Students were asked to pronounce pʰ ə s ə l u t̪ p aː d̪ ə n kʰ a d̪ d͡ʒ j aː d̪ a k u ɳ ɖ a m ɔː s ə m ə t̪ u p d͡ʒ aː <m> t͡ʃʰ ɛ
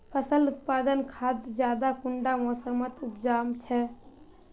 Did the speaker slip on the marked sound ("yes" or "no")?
no